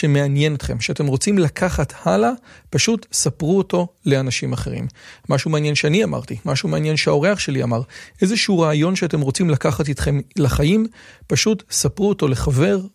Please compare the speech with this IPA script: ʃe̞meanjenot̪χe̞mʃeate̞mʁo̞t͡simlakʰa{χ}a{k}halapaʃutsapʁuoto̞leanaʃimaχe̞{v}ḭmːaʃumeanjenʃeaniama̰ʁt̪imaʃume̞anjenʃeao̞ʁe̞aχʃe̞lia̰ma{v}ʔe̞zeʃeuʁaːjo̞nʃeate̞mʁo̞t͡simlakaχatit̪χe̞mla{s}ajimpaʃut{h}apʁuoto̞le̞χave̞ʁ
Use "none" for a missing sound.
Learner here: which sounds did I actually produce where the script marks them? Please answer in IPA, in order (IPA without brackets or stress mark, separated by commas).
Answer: χ, t, ʁ, ʁ, χ, s